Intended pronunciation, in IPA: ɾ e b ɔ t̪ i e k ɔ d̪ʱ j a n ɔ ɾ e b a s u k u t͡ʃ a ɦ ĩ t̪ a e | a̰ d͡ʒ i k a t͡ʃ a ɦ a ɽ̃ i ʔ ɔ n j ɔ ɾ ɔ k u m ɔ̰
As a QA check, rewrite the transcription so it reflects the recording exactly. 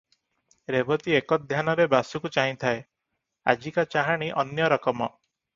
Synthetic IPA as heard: ɾ e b ɔ t̪ i e k ɔ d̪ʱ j a n ɔ ɾ e b a s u k u t͡ʃ a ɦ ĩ t̪ʰ a e | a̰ d͡ʒ i k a t͡ʃ a ɦ a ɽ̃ i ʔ ɔ n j ɔ ɾ ɔ k ɔ m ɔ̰